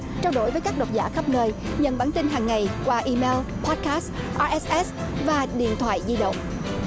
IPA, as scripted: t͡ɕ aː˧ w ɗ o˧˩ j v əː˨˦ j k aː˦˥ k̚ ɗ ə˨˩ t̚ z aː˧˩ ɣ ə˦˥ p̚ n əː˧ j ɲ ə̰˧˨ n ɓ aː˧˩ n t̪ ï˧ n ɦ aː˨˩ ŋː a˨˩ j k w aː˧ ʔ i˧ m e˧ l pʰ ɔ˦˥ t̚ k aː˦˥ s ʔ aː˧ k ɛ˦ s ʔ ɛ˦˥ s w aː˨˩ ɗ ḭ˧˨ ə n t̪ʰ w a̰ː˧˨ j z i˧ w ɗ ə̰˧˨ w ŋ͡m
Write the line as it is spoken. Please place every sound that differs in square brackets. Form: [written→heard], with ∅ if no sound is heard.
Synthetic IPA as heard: t͡ɕ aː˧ w ɗ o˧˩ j v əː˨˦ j k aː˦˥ k̚ ɗ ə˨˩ t̚ z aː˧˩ [ɣ→x] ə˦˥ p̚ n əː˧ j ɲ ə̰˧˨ n ɓ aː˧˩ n t̪ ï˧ n ɦ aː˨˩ ŋː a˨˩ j k w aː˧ ʔ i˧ m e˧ l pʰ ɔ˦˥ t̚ k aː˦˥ s ʔ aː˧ [k→ʔ] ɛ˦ s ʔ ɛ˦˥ s [w→v] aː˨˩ ɗ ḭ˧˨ ə n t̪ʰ w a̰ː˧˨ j z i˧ [w→∅] ɗ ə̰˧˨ w ŋ͡m